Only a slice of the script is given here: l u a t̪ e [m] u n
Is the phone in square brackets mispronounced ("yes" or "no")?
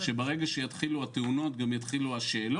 yes